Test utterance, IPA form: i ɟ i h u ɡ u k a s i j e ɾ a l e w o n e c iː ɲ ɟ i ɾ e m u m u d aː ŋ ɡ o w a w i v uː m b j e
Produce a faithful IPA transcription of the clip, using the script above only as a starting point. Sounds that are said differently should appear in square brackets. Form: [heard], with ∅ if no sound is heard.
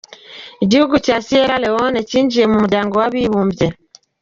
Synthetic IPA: i ɟ i h u ɡ u [c] a s i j e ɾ a l e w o n e c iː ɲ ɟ i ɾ e m u m u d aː ŋ ɡ o w a [β] i [β] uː m b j e